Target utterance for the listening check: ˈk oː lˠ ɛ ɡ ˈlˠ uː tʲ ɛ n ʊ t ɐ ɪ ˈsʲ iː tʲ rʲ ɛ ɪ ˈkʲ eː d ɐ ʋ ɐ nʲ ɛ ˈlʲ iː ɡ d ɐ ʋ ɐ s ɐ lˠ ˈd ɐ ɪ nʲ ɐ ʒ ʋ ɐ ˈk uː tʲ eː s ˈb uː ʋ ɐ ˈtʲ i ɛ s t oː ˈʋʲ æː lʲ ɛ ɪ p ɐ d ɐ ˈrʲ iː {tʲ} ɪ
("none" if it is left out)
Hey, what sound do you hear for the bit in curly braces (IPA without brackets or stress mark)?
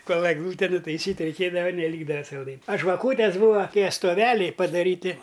tʲ